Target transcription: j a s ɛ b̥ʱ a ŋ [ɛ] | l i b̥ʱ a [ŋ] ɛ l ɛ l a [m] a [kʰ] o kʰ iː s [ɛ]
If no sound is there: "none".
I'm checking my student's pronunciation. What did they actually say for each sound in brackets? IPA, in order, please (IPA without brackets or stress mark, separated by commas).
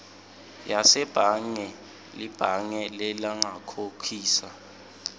ɛ, ŋ, ŋ, kʰ, a